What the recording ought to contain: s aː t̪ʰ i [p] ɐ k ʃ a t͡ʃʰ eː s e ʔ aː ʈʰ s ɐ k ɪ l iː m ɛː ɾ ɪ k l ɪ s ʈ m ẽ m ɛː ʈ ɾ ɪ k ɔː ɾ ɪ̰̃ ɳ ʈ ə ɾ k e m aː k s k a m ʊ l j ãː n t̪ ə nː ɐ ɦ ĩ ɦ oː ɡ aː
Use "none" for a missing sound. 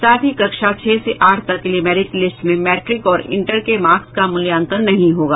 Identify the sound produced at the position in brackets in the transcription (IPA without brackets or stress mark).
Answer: k